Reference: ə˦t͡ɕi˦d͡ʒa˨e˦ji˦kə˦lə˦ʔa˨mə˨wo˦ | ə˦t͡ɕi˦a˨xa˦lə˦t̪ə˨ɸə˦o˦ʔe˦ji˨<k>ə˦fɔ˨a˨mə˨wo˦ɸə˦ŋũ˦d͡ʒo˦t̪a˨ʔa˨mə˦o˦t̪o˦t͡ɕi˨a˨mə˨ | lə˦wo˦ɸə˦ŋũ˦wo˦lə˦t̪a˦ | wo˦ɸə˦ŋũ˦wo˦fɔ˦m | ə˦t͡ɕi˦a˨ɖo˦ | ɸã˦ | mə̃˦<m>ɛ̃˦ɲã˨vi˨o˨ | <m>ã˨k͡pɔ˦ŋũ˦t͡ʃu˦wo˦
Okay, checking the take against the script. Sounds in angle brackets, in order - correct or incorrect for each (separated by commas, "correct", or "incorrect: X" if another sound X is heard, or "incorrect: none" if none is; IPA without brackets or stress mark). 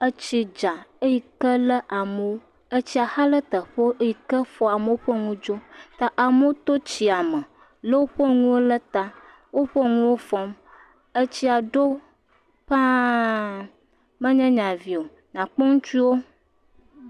correct, incorrect: ɲ, incorrect: ɲ